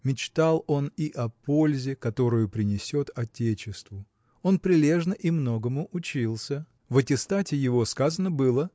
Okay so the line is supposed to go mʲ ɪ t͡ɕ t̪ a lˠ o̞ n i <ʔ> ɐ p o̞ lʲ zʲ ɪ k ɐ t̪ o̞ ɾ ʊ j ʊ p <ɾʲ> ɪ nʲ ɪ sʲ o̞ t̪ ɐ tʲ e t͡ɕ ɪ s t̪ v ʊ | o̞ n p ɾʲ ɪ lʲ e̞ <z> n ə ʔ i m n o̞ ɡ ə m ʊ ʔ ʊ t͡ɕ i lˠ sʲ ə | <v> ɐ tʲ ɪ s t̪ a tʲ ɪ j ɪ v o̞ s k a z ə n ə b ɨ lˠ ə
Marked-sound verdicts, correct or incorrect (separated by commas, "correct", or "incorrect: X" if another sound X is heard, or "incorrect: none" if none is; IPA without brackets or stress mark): correct, correct, incorrect: ʐ, correct